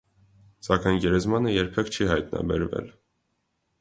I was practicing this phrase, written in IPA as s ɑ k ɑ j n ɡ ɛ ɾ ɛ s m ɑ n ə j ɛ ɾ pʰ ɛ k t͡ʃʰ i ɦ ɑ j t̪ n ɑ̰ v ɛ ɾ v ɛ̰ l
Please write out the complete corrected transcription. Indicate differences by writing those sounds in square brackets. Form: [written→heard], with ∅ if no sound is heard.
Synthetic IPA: s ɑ k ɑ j n ɡ ɛ ɾ ɛ [s→z] m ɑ n ə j ɛ ɾ pʰ ɛ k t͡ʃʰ i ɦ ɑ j t̪ n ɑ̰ [v→b] ɛ ɾ v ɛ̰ l